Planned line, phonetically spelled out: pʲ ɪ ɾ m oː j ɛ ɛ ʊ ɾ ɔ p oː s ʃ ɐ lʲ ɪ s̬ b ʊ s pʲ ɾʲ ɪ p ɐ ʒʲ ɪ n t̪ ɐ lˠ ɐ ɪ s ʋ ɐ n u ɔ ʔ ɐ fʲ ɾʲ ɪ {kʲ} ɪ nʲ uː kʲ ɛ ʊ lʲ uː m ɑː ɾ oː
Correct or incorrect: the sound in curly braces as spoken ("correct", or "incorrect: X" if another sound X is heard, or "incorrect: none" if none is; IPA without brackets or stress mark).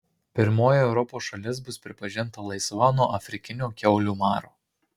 correct